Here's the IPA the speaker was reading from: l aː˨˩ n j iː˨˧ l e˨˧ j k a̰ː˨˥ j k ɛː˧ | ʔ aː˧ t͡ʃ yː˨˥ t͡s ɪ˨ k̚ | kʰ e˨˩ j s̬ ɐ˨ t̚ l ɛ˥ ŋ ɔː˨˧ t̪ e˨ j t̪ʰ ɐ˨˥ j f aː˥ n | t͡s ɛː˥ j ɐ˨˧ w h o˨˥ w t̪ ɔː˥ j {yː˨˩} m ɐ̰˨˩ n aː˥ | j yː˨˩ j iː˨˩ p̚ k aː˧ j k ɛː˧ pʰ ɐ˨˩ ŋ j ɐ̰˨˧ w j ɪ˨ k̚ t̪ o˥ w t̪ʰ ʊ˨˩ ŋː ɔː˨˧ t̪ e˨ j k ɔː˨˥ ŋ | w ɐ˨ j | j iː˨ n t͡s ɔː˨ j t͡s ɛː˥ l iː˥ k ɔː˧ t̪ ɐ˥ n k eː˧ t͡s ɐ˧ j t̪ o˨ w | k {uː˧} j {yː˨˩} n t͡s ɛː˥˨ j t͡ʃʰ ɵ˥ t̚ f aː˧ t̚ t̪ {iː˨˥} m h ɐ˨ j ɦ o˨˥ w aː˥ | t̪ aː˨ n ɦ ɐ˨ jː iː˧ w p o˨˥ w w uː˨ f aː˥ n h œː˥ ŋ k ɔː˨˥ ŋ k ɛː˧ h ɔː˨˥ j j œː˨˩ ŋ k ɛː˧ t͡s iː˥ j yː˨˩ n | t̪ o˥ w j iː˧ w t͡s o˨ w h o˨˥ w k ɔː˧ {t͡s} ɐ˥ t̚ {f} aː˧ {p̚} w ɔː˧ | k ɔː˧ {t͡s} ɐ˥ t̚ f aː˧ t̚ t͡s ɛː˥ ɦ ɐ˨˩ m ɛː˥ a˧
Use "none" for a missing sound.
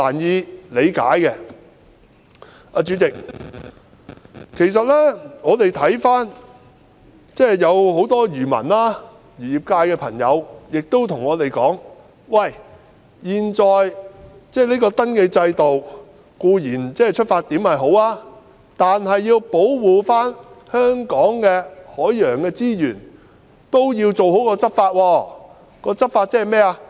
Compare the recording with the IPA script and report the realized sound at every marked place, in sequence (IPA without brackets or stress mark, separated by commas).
yː˨˩, uː˧, iː˨˩, iː˨˥, t͡s, f, t̚, t͡s